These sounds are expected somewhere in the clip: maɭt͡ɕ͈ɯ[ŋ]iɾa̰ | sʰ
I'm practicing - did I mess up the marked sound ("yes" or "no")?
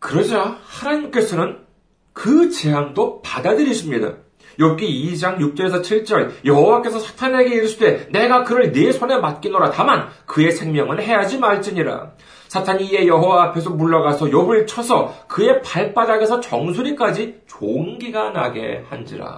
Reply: yes